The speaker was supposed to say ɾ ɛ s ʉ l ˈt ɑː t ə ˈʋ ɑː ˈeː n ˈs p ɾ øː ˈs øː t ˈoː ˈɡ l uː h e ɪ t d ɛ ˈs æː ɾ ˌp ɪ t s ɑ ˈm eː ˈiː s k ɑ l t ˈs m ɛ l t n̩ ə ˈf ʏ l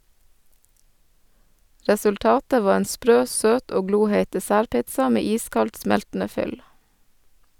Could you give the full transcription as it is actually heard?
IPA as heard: ɾ ɛ s ʉ l ˈt ɑː t ə ˈʋ ɑː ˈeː n ˈs p ɾ øː ˈs øː t ˈoː ˈɡ l uː h e ɪ t d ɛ ˈs æː ɾ ˌp ɪ t s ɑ ˈm eː ˈiː s k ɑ l t ˈs m ɛ l t n̩ ə ˈf ʏ l